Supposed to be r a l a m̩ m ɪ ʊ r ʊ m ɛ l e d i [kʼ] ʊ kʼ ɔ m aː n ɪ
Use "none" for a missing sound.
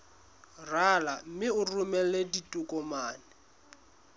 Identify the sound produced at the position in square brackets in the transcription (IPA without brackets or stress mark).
tʼ